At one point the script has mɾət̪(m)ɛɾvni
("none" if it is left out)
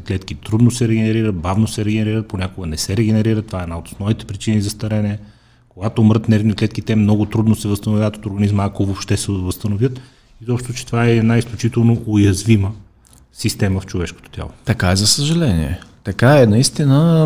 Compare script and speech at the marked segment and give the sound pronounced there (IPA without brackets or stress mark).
n